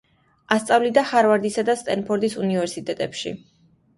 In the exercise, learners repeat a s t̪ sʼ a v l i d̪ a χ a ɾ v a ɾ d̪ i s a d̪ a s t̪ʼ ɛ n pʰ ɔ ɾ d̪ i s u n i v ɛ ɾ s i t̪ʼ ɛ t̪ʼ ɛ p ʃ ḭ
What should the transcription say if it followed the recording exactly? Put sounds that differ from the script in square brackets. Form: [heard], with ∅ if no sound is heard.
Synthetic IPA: a s t̪ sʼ a v l i d̪ a χ a ɾ v a ɾ d̪ i s a d̪ a s t̪ʼ ɛ n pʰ ɔ ɾ d̪ i s u n i v ɛ ɾ s i t̪ʼ ɛ t̪ʼ ɛ p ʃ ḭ